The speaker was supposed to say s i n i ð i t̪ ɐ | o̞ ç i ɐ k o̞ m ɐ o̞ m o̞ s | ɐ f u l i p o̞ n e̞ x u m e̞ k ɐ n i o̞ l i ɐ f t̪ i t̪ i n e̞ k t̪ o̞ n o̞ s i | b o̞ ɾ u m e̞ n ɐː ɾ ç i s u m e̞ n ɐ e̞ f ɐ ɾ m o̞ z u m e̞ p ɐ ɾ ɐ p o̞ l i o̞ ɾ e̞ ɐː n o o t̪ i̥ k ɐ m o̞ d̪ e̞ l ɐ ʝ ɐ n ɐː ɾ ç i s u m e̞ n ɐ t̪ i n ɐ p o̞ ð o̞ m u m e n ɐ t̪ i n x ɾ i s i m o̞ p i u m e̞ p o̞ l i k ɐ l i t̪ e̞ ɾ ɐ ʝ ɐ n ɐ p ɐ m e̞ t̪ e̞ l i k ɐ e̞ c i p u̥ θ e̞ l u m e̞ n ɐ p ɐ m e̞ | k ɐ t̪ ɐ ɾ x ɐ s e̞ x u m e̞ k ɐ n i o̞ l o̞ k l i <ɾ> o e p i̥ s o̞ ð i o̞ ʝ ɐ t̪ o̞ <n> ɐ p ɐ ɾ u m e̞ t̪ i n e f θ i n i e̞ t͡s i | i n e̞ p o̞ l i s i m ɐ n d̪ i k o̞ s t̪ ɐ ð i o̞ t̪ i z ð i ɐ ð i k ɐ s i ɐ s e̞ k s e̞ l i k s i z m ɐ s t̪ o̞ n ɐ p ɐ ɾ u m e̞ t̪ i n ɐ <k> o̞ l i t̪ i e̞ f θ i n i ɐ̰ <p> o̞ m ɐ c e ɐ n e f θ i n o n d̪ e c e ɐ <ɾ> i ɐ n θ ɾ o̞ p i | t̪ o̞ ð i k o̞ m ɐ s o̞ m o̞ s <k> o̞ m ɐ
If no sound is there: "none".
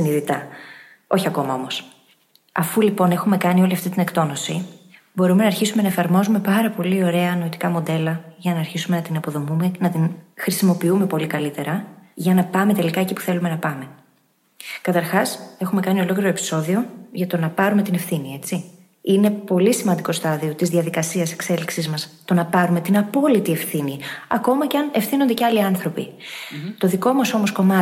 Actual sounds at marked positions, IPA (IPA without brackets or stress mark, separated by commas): ɾ, n, p, k, l, k